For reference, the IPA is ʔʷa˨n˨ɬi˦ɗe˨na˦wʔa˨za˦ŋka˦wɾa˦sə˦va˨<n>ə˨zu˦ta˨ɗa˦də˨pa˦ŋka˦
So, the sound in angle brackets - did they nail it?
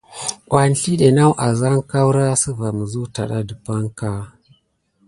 no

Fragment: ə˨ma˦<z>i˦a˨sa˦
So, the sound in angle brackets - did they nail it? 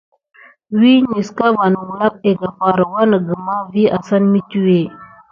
no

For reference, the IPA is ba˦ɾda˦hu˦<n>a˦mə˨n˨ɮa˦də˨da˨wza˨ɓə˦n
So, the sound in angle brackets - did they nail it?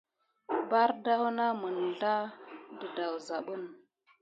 yes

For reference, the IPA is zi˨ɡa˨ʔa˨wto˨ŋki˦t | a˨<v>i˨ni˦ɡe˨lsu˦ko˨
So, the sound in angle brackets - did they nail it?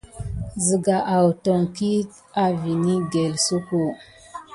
yes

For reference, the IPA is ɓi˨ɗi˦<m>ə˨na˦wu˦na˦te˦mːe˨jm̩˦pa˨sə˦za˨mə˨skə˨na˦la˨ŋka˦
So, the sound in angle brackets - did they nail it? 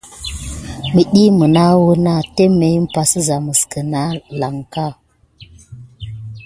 yes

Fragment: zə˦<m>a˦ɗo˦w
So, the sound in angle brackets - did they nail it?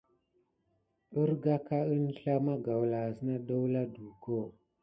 no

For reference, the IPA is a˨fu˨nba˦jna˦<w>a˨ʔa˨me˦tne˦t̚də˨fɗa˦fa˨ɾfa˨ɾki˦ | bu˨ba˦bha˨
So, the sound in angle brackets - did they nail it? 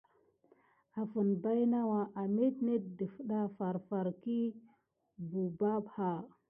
yes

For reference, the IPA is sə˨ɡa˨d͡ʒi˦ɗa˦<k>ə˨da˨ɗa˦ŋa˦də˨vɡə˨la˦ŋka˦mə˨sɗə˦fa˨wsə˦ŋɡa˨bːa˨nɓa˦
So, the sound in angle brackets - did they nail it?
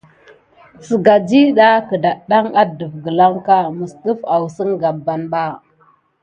yes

